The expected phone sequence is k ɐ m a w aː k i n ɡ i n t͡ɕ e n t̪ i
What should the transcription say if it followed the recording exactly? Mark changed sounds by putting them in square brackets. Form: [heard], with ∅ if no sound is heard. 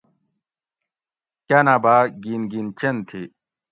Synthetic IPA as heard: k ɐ [n] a [b] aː [ɡ] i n ɡ i n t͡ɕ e n [t̪ʰ] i